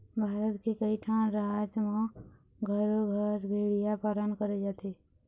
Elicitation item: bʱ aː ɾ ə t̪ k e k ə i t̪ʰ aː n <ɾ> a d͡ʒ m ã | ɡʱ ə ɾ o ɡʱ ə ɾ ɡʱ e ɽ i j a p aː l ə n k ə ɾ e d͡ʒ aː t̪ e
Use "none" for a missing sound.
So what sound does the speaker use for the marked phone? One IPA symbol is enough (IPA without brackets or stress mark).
ɾ